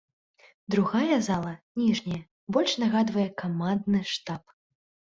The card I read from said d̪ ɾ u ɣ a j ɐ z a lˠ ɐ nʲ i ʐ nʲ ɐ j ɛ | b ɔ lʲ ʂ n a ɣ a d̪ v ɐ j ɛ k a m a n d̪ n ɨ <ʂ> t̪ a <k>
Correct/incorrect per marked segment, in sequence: correct, incorrect

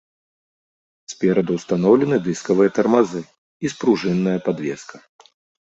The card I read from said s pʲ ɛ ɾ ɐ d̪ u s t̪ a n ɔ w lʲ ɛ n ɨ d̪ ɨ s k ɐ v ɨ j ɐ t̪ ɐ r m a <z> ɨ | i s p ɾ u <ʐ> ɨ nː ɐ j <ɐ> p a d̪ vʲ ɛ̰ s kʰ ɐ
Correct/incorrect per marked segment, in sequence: correct, correct, correct

